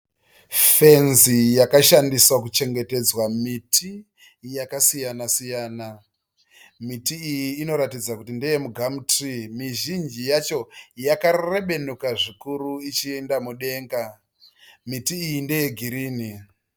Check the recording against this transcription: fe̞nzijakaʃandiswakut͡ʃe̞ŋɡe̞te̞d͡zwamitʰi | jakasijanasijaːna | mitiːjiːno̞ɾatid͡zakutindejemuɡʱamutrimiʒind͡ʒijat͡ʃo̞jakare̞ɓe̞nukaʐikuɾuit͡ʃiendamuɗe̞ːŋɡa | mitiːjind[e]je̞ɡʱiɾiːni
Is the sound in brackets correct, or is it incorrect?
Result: correct